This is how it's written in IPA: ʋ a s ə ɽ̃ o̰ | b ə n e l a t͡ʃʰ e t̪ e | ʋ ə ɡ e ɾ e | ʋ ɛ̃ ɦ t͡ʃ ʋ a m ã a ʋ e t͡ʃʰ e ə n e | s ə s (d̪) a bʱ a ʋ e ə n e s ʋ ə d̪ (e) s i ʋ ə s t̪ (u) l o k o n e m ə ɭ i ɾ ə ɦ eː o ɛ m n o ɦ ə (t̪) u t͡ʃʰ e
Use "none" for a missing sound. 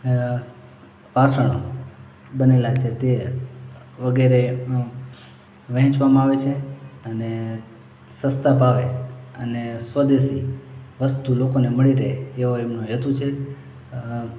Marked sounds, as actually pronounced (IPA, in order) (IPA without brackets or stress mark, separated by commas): t̪, e, u, t̪